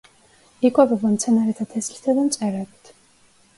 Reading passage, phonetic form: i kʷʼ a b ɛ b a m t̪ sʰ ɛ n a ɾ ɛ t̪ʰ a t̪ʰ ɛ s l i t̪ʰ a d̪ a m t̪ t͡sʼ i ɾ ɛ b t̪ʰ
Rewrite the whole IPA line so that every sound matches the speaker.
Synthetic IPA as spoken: i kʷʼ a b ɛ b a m t̪ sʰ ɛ n a ɾ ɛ t̪ʰ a t̪ʰ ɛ s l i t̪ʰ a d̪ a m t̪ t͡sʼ ɛ ɾ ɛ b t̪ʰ